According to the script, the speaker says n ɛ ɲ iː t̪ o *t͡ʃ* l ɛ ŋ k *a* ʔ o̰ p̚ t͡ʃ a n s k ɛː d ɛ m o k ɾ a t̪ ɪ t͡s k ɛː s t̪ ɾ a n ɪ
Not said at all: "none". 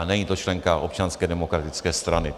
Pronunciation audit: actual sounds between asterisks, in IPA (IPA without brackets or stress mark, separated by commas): t͡ʃ, a